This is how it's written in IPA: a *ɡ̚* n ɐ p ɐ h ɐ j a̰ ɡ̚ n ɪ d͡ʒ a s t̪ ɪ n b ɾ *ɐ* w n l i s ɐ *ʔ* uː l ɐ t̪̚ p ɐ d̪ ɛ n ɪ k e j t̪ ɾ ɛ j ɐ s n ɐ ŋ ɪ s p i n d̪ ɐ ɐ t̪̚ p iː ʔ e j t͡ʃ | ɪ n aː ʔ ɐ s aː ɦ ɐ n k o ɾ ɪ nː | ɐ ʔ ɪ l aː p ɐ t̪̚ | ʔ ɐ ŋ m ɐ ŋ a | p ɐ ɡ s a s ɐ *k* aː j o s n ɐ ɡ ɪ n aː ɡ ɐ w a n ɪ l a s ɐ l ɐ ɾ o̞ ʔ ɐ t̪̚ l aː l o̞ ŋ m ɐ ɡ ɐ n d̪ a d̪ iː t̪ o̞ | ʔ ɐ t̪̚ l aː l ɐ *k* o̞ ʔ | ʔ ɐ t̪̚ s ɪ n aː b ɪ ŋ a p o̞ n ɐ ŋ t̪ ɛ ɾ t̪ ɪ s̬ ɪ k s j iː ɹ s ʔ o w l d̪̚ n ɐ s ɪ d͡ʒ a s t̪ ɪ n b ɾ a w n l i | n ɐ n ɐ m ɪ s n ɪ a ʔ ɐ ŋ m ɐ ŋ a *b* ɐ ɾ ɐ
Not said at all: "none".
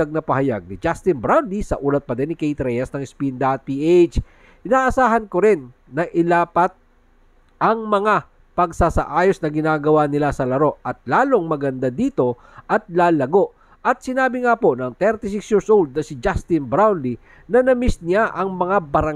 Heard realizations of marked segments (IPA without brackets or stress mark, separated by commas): ɡ̚, a, ʔ, ʔ, ɡ, b